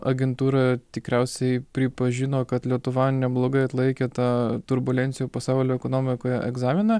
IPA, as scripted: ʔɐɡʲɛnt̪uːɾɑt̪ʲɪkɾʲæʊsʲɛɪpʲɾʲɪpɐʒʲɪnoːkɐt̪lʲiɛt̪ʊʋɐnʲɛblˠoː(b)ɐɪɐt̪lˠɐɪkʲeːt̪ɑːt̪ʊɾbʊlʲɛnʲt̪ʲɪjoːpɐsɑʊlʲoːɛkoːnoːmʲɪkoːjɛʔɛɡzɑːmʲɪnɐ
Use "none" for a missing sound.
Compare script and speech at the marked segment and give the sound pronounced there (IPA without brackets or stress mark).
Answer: ɡ